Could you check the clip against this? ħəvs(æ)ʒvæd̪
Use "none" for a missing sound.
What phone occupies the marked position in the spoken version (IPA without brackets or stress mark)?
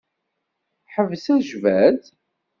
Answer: æ